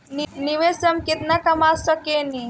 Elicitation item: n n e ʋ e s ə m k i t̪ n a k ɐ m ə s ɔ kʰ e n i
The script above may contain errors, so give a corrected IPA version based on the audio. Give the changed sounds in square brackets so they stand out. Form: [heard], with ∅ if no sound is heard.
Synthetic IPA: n n [i] ʋ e s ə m k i t̪ n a k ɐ m [a] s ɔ [k] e n i